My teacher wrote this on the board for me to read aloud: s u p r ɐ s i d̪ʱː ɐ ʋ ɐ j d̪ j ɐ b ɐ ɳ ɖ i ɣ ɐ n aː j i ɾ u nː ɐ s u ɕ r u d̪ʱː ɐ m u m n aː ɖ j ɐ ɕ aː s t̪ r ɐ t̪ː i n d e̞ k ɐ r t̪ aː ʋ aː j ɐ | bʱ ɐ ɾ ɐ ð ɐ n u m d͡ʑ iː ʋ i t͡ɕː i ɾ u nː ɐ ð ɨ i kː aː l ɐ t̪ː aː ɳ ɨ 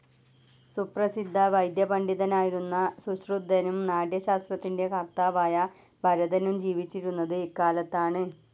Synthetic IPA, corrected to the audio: s u p r ɐ s i d̪ʱː ɐ ʋ ɐ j d̪ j ɐ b ɐ ɳ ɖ i ð ɐ n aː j i ɾ u nː ɐ s u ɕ r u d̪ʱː ɐ n u m n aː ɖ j ɐ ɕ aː s t̪ r ɐ t̪ː i n d e̞ k ɐ r t̪ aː ʋ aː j ɐ | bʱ ɐ ɾ ɐ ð ɐ n u m d͡ʑ iː ʋ i t͡ɕː i ɾ u nː ɐ ð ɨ i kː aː l ɐ t̪ː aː ɳ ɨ